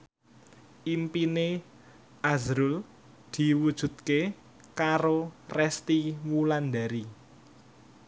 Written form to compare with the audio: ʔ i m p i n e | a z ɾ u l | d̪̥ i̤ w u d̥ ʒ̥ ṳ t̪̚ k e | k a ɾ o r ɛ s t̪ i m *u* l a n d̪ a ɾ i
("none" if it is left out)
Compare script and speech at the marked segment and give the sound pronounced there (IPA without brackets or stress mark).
u